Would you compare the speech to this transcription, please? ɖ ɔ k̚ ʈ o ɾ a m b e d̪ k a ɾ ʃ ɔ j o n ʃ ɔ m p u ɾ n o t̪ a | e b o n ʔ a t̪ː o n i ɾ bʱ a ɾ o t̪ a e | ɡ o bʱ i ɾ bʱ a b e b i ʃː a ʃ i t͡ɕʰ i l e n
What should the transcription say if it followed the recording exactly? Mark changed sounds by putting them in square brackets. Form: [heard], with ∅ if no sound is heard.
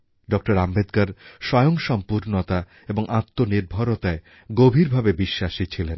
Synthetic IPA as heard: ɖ ɔ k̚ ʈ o ɾ a m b e d̪ k a ɾ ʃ ɔ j o [ŋ] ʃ ɔ m p u ɾ n o t̪ a | e b o [ŋ] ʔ a t̪ː o n i ɾ bʱ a ɾ o t̪ a e | ɡ o bʱ i ɾ bʱ a b e b i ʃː a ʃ i t͡ɕʰ i l e n